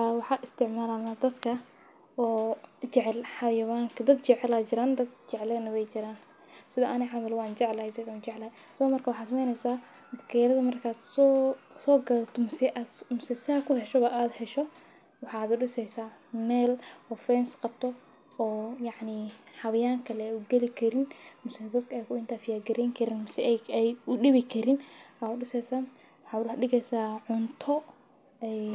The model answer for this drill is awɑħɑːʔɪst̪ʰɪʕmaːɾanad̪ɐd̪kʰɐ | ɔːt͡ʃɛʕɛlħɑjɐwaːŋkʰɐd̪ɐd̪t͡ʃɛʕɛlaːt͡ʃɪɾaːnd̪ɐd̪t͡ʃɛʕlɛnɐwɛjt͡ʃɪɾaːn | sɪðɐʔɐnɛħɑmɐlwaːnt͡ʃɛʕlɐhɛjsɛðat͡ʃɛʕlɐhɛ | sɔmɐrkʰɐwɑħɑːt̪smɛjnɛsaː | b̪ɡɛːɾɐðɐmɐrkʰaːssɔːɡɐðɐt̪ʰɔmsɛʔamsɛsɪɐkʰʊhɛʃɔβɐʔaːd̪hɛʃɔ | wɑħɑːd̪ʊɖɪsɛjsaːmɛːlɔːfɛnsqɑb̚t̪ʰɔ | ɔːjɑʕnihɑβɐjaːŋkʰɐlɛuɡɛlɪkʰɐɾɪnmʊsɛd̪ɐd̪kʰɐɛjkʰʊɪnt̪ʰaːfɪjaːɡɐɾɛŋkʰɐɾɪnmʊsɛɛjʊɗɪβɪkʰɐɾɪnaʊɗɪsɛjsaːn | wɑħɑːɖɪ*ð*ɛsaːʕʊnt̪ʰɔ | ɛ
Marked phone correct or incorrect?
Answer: incorrect